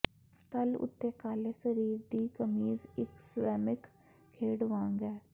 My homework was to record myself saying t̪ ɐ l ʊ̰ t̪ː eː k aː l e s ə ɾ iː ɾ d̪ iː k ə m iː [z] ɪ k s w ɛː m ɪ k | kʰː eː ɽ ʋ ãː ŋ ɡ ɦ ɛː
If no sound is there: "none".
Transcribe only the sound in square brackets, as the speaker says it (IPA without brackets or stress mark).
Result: z